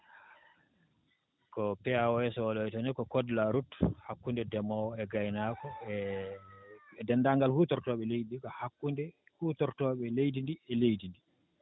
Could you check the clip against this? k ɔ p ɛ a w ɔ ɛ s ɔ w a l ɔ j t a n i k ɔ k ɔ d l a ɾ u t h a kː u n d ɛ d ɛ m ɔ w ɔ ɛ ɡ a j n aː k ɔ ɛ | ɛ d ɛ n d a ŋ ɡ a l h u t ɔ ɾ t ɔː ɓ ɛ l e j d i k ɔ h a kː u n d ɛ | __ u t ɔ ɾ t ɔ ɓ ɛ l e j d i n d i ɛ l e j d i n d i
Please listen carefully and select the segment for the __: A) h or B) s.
A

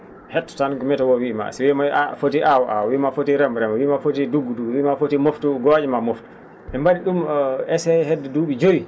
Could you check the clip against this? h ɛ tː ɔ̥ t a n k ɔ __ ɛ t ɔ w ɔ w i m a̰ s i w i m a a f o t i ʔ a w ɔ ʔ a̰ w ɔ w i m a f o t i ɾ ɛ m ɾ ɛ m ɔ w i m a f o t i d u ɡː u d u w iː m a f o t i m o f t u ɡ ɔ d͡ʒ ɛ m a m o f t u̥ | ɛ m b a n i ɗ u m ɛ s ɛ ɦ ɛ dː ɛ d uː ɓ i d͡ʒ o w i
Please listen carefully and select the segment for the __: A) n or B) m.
B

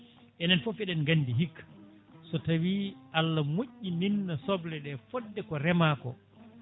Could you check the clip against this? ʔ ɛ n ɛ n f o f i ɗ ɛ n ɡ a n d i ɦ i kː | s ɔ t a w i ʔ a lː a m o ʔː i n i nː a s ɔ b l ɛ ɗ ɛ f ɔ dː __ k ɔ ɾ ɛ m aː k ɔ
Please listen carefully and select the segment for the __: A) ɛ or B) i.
A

